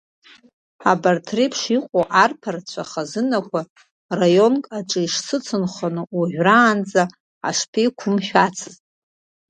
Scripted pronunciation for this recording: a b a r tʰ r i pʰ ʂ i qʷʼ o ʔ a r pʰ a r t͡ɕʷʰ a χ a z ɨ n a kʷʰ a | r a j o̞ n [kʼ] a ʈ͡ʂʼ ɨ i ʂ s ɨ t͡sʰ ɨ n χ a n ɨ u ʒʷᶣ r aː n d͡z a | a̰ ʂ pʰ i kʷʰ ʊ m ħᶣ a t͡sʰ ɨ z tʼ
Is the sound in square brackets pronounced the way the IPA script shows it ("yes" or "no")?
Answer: yes